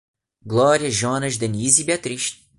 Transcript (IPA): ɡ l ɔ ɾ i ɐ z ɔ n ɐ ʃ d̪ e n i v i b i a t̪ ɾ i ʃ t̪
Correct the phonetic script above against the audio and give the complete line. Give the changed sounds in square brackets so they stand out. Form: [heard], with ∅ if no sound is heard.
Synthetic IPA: ɡ l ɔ ɾ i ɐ [ʒ] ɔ n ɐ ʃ d̪ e n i [z] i b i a t̪ ɾ i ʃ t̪